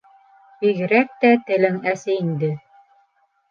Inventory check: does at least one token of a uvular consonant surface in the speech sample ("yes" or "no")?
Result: no